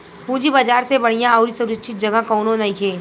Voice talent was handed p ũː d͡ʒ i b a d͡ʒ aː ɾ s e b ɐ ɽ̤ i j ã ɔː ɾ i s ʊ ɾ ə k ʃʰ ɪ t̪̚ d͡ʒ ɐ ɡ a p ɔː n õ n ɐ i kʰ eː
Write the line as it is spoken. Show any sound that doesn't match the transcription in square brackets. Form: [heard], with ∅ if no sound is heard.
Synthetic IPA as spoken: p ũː d͡ʒ i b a d͡ʒ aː ɾ s e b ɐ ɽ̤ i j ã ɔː ɾ i s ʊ ɾ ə k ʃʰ ɪ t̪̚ d͡ʒ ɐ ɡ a [k] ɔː n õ n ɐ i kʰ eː